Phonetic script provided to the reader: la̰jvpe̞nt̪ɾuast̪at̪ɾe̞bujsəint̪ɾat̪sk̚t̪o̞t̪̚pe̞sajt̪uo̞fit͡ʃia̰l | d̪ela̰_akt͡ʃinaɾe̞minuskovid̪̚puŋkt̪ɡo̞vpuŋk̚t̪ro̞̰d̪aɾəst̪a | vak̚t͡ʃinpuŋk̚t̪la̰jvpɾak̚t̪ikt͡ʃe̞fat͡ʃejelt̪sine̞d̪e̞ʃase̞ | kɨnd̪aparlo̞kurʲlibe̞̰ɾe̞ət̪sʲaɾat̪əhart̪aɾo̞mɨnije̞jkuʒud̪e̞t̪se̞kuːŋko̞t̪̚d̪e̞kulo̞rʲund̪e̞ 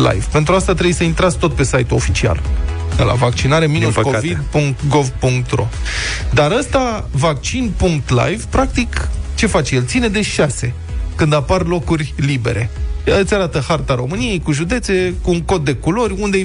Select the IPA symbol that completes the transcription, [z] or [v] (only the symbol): v